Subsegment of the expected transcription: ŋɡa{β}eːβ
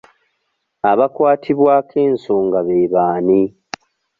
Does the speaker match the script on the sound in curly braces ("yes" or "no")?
yes